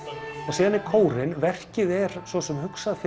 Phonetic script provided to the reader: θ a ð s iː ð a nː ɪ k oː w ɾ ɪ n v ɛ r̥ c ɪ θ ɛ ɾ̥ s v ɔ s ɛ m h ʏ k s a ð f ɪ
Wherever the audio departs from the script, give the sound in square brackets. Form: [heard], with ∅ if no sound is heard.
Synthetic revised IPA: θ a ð s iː ð a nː ɪ [kʰ] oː w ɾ ɪ n v ɛ r̥ c ɪ [ð] ɛ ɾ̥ s v ɔ s ɛ m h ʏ k s a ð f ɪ